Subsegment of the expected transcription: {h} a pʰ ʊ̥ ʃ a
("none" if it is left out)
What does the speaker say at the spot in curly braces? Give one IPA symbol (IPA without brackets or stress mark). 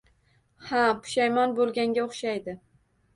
h